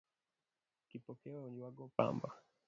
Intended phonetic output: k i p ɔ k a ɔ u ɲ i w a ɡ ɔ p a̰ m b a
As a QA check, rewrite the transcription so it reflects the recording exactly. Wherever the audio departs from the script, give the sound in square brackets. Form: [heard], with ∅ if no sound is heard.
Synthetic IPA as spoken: k i p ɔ k [ɛ] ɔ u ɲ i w a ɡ ɔ p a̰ m b a